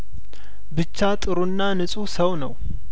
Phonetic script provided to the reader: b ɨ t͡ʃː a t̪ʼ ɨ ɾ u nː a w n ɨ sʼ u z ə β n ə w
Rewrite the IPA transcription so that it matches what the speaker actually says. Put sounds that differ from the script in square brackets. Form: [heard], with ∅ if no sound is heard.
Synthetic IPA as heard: b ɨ t͡ʃː a t̪ʼ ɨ ɾ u nː a [∅] n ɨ sʼ u [s] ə [w] n ə w